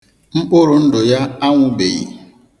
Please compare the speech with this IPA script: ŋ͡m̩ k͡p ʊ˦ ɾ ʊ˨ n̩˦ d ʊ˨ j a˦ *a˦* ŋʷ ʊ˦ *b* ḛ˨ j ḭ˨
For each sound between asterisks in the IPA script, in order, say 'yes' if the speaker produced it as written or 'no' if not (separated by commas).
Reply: yes, yes